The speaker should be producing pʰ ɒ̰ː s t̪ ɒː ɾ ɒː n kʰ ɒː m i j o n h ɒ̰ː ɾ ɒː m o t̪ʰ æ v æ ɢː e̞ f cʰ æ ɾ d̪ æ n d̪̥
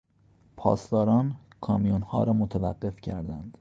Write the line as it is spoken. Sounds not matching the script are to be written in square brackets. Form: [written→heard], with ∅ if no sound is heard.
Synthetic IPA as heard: pʰ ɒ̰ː s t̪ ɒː ɾ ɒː n kʰ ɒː m i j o n h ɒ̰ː ɾ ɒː m o t̪ʰ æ v æ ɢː e̞ f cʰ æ ɾ d̪ æ n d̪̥